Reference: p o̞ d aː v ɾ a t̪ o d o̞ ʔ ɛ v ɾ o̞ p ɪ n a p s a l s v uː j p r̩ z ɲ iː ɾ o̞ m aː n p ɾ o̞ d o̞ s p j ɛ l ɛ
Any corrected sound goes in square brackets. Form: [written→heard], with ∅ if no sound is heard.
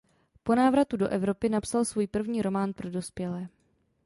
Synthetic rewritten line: p o̞ [d→n] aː v ɾ a t̪ [o→u] d o̞ ʔ ɛ v ɾ o̞ p ɪ n a p s a l s v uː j p r̩ [z→v] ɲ iː ɾ o̞ m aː n p ɾ o̞ d o̞ s p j ɛ l [ɛ→ɛː]